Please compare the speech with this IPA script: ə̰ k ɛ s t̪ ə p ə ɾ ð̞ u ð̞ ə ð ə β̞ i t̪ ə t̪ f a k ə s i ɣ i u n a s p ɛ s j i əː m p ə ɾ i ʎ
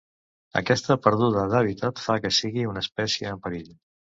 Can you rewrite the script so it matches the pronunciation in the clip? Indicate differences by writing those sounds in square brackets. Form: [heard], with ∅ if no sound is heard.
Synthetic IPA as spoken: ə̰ k ɛ s t̪ ə p ə ɾ ð̞ u ð̞ ə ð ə β̞ i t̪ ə t̪ f a k ə s i ɣ i u n [ə] s p ɛ s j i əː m p ə ɾ i ʎ